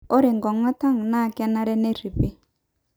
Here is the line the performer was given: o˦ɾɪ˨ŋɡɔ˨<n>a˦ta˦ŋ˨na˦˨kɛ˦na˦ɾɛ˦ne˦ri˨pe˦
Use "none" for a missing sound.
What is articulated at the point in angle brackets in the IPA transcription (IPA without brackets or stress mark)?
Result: ŋ